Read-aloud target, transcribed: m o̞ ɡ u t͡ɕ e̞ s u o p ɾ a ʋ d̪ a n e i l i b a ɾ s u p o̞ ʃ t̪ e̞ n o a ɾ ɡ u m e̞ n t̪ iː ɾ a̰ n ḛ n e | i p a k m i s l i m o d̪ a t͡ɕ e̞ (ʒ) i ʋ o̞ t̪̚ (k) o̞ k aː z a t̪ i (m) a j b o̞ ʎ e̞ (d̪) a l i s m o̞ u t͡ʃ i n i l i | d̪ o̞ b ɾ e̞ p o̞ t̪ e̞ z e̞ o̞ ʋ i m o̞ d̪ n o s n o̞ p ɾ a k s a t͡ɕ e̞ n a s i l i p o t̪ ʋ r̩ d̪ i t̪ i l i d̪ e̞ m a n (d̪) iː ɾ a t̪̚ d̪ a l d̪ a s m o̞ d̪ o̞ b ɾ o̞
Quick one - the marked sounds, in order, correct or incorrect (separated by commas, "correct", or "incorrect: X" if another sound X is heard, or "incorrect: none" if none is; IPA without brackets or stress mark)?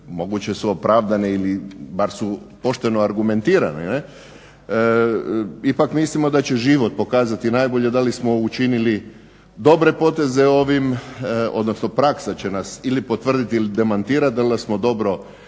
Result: correct, incorrect: p, incorrect: n, correct, incorrect: t̪